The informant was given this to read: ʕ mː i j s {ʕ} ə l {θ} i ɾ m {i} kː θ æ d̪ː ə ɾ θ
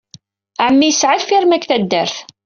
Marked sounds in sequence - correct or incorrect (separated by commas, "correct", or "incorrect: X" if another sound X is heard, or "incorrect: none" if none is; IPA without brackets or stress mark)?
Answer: correct, incorrect: f, incorrect: æ